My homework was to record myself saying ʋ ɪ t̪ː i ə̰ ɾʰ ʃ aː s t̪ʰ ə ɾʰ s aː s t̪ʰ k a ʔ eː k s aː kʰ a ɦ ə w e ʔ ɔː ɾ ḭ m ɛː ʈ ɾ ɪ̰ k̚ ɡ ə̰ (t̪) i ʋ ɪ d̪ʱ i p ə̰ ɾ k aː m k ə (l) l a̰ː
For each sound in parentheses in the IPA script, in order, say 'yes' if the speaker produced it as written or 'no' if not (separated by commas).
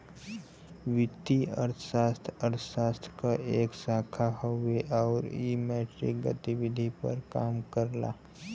yes, no